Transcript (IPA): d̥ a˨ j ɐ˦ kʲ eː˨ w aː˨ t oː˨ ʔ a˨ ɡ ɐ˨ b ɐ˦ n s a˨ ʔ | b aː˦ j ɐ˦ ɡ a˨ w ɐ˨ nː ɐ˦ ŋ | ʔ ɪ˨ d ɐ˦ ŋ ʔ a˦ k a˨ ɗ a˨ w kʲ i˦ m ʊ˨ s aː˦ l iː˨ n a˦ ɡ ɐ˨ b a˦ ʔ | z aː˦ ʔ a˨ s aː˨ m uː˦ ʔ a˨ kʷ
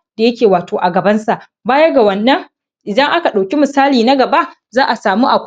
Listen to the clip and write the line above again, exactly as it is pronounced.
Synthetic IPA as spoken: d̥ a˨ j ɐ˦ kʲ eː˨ w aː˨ t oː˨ ʔ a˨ ɡ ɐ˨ b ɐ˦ n s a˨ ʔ | b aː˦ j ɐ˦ ɡ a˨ w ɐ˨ nː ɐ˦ ŋ | ʔ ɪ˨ d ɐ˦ ŋ ʔ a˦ k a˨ ɗ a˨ w kʲ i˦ m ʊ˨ s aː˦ l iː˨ n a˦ ɡ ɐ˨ b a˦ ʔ | z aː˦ ʔ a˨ s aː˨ m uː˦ ʔ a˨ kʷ